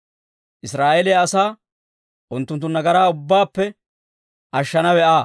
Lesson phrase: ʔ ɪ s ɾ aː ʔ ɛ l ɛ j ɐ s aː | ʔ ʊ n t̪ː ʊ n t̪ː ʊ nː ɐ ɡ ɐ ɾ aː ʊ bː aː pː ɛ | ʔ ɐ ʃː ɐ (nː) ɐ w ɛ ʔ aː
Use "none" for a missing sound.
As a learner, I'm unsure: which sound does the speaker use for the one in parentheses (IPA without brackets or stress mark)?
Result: n